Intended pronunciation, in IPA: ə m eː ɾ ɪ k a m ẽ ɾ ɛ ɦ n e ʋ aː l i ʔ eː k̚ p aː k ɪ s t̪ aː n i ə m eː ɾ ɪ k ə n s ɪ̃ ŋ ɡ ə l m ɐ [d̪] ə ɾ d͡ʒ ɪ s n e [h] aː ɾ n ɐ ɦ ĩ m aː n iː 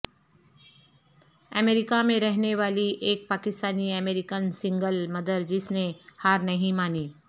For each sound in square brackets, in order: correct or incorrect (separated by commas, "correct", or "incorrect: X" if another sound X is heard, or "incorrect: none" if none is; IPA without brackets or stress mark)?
correct, correct